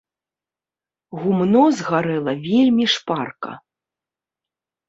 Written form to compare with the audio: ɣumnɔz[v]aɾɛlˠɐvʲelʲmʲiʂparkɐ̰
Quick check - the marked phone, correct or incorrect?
incorrect